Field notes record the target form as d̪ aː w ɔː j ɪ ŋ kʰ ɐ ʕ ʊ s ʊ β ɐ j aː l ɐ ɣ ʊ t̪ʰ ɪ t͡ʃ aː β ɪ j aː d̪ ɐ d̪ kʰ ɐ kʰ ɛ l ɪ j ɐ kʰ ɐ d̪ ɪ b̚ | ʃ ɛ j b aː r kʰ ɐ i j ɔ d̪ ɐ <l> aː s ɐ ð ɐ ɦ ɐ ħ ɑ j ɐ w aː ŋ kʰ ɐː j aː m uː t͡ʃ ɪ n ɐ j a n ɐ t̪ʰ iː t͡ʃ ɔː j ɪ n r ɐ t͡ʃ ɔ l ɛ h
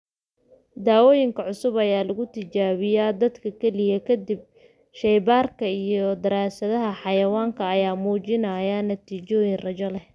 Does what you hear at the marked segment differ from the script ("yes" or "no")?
yes